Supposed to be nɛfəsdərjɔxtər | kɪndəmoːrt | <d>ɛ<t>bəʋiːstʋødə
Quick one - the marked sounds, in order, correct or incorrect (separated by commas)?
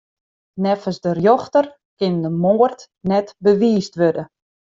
incorrect, correct